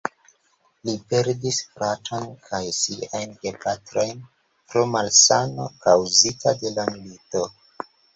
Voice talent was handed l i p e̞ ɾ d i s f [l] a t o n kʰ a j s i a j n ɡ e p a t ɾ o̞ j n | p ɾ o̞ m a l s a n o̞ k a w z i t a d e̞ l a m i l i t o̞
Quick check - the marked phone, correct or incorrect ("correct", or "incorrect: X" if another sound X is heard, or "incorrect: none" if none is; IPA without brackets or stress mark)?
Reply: incorrect: ɾ